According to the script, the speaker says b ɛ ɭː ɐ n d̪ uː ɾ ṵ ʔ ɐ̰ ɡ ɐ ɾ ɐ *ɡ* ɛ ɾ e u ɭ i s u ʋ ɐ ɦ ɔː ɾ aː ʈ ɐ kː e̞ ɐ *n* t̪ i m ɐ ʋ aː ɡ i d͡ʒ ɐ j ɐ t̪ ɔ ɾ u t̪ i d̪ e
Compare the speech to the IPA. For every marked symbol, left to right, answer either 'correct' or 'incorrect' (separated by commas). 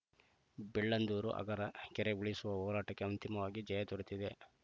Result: incorrect, correct